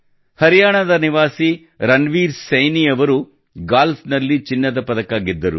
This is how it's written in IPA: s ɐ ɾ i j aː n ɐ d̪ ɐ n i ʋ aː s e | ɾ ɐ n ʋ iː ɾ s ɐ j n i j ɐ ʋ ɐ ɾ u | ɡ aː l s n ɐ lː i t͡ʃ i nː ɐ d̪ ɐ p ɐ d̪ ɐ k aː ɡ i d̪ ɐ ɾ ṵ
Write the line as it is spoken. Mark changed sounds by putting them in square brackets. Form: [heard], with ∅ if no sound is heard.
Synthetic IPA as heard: [h] ɐ ɾ i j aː [ɳ] ɐ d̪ ɐ n i ʋ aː s [i] | ɾ ɐ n ʋ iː ɾ s ɐ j n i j ɐ ʋ ɐ ɾ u | ɡ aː l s n ɐ lː i t͡ʃ i nː ɐ d̪ ɐ p ɐ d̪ ɐ k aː ɡ i [d̪ː] ɐ ɾ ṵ